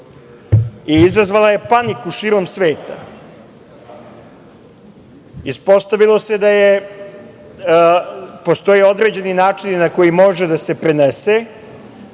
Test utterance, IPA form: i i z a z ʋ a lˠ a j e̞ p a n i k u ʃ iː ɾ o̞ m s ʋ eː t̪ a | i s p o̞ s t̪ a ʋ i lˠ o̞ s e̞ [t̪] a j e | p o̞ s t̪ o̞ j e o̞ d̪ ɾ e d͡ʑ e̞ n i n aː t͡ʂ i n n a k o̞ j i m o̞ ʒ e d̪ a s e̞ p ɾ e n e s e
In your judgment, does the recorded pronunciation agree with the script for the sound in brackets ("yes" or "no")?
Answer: no